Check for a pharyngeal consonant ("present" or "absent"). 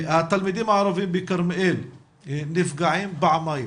present